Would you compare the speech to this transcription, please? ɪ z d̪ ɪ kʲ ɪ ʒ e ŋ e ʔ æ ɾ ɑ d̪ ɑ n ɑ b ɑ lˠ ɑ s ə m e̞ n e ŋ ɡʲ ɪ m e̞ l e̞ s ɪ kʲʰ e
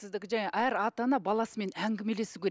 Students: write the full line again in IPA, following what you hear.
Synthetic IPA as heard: ɪ z d̪ ɪ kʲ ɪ ʒ æ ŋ e ʔ æ ɾ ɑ t̪ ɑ n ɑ b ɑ lˠ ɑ s ə m e̞ n æ ŋ ɡʲ ɪ m e̞ l e̞ s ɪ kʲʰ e